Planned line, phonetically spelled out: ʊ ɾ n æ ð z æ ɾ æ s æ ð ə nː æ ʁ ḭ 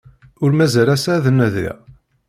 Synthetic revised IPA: ʊ ɾ m æ z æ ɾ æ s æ ð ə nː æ ð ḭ